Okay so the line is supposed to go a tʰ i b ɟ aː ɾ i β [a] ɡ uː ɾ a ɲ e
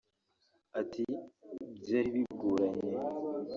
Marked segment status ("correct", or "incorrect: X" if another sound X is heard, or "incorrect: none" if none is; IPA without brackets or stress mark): incorrect: i